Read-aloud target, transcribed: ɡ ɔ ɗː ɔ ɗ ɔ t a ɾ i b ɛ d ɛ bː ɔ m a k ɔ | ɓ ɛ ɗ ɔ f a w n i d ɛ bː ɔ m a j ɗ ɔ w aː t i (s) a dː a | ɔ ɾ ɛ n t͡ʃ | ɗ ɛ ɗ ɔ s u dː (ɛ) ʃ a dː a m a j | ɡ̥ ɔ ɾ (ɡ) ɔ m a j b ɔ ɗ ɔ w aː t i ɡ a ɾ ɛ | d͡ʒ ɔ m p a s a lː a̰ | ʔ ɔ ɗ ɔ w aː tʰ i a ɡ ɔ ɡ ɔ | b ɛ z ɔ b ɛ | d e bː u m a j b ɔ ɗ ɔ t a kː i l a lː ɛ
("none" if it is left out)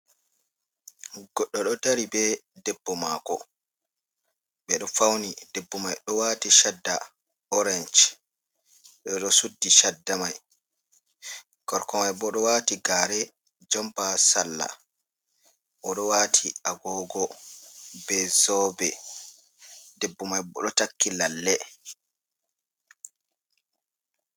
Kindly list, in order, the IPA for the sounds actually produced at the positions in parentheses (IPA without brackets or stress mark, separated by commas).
ʃ, i, k